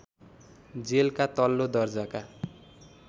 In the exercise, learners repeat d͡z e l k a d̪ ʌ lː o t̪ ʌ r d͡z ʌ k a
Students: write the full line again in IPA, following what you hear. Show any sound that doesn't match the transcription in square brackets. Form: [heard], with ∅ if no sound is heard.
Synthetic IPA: d͡z e l k a [t̪] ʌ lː o [d̪] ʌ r d͡z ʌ k a